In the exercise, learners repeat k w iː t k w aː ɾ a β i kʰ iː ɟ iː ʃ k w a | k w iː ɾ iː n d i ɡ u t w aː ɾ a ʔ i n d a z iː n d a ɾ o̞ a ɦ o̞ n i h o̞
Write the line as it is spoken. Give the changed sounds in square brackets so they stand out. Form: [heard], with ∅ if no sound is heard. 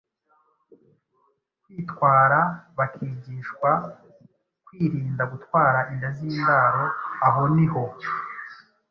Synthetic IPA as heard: k w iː t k w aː ɾ a β [a] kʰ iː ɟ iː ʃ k w a | k w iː ɾ iː n d [a] ɡ u t w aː ɾ a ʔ i n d a z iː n d a ɾ o̞ a ɦ o̞ n i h o̞